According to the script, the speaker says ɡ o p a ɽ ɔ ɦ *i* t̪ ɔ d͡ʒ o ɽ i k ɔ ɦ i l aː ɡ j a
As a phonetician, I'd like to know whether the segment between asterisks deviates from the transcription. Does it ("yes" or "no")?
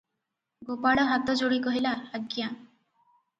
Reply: yes